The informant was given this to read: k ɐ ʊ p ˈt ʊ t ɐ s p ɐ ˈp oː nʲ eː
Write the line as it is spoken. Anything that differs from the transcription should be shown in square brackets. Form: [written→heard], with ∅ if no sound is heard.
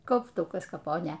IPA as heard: k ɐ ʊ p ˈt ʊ [t→k] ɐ s [p→k] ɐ ˈp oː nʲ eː